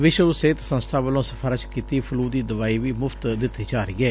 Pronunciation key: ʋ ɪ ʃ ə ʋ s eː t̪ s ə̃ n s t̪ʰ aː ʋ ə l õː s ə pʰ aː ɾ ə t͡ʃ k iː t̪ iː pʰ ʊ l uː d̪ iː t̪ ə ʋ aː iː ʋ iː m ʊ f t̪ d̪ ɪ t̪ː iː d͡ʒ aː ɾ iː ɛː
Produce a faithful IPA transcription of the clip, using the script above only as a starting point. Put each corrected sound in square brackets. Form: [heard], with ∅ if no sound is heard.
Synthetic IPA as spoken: ʋ ɪ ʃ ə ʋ s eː t̪ s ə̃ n s t̪ʰ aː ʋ ə l õː s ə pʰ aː ɾ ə t͡ʃ k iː t̪ iː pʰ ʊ l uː d̪ iː [d̪] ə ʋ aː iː ʋ iː m ʊ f t̪ d̪ ɪ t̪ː iː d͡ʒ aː ɾ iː ɛː